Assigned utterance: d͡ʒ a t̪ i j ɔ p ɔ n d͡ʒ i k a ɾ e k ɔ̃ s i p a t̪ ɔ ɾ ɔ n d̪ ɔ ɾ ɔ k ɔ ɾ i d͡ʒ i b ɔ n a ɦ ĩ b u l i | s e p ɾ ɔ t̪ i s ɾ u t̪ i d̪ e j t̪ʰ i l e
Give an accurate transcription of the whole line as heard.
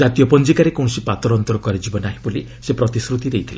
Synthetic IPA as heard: d͡ʒ a t̪ i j ɔ p ɔ n d͡ʒ i k a ɾ e k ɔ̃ s i p a t̪ ɔ ɾ ɔ n t̪ ɔ ɾ ɔ k ɔ ɾ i d͡ʒ i b ɔ n a ɦ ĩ b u l i | s e p ɾ ɔ t̪ i s ɾ u t̪ i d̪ e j t̪ʰ i l e

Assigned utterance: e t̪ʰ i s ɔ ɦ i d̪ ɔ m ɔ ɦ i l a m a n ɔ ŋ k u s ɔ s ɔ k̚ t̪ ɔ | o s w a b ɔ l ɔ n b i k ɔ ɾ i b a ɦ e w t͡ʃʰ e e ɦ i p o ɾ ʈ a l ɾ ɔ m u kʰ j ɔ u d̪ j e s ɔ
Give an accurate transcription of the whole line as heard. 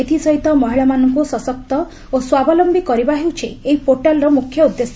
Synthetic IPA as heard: e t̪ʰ i s ɔ ɦ i t̪ ɔ m ɔ ɦ i ɭ a m a n ɔ ŋ k u s ɔ s ɔ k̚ t̪ ɔ | o s w a b ɔ l ɔ m b i k ɔ ɾ i b a ɦ e w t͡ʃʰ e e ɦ i p o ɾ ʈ a l ɾ ɔ m u kʰ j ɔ u d̪ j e s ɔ

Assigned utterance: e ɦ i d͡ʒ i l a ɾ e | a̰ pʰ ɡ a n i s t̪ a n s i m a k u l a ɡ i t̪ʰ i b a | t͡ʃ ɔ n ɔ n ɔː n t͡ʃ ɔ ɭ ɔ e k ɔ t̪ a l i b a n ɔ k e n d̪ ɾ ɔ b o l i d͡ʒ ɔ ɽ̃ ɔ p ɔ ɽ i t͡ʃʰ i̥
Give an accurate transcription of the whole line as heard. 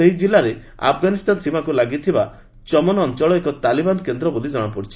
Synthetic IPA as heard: e ɦ i d͡ʒ i l a ɾ e | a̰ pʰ ɡ a n i s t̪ a n s i m a k u l a ɡ i t̪ʰ i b a | t͡ʃ ɔ m ɔ n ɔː n t͡ʃ ɔ ɭ ɔ e k ɔ t̪ a l i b a n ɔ k e n d̪ ɾ ɔ b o l i d͡ʒ ɔ ɽ̃ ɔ p ɔ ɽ i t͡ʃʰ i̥

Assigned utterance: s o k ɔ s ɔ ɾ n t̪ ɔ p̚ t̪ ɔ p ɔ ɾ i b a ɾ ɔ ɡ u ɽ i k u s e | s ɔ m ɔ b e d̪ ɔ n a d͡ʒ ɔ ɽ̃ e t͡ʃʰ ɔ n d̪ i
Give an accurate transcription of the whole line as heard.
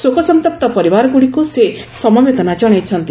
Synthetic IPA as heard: s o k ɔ s ɔ n t̪ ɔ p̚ t̪ ɔ p ɔ ɾ i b a ɾ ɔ ɡ u ɽ i k u s e | s ɔ m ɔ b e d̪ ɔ n a d͡ʒ ɔ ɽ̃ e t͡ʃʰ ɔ n t̪ i

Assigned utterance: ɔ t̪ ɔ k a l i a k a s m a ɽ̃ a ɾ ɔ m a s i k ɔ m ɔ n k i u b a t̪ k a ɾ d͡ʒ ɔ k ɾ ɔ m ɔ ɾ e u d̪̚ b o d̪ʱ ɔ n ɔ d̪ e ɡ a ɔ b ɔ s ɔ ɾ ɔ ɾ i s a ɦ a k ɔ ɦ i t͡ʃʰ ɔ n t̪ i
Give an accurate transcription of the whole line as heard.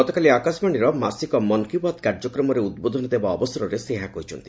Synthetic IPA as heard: ɔ t̪ ɔ k a l i a k a s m a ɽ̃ i ɾ ɔ m a s i k ɔ m ɔ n k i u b a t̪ k a ɾ d͡ʒ ɔ k ɾ ɔ m ɔ ɾ e u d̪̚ b o d̪ʱ ɔ n ɔ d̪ e b a ɔ b ɔ s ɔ ɾ ɔ ɾ e s e ɦ a k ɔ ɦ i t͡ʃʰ ɔ n t̪ i

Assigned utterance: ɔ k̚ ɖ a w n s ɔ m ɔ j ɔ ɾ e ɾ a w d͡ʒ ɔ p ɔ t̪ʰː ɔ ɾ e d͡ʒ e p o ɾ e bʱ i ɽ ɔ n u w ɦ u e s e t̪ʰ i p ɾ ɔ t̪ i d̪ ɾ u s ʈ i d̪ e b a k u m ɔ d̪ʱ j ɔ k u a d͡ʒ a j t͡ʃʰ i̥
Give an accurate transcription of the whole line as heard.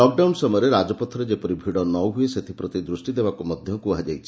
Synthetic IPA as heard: ɔ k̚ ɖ a w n s ɔ m ɔ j ɔ ɾ e ɾ a d͡ʒ ɔ p ɔ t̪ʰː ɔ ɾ e d͡ʒ e p ɔ ɾ i bʱ i ɽ ɔ n ɔ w ɦ u e s e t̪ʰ i p ɾ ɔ t̪ i d̪ ɾ u s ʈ i d̪ e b a k u m ɔ d̪ʱ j ɔ k u a d͡ʒ a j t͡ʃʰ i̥

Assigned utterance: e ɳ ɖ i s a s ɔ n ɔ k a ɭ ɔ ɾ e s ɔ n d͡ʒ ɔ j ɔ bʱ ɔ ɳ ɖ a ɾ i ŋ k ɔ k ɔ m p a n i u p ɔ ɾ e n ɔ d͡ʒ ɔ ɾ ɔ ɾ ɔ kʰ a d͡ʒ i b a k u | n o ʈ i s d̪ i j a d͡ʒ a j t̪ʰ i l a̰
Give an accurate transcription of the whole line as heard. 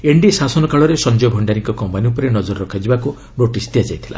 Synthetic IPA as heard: e ɳ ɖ i s a s ɔ n ɔ k a ɭ ɔ ɾ e s ɔ n d͡ʒ ɔ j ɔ bʱ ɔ ɳ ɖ a ɾ i ŋ k ɔ k ɔ m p a n i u p ɔ ɾ e n ɔ d͡ʒ ɔ ɾ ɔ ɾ ɔ kʰ a d͡ʒ i b a k u | n o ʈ i s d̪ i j a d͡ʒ a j t̪ʰ i l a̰

